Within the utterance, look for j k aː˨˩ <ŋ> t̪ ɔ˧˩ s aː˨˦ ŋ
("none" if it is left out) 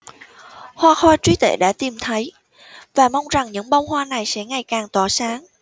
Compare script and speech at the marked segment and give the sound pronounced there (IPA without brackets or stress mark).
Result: ŋ